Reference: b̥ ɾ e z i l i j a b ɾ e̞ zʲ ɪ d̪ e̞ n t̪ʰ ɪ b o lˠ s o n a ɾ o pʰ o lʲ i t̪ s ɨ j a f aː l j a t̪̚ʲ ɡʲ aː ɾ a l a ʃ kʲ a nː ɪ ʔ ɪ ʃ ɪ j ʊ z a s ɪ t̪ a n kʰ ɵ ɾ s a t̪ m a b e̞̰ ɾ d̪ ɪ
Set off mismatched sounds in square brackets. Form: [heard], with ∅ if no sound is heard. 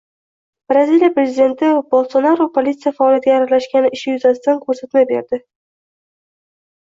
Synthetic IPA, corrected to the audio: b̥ ɾ [a] z i l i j a [p] ɾ e̞ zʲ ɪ d̪ e̞ n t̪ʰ ɪ b o lˠ s o n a ɾ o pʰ o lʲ i t̪ s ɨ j a f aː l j a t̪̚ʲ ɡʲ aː ɾ a l a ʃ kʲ a [n] ɪ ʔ ɪ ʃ ɪ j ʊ z a s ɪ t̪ a n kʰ ɵ ɾ s a t̪ m a b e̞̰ ɾ d̪ ɪ